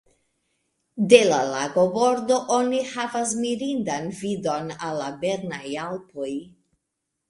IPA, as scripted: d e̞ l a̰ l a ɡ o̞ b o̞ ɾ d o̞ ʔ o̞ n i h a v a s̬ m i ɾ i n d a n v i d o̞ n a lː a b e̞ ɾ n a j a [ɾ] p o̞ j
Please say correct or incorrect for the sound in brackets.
incorrect